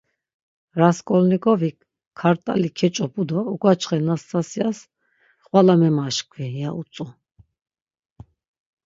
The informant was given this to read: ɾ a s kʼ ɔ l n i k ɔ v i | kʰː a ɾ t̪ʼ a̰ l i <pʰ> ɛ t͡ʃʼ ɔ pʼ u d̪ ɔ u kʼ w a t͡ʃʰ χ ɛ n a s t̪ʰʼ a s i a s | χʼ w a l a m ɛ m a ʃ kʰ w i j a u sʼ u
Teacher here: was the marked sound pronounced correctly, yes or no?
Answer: no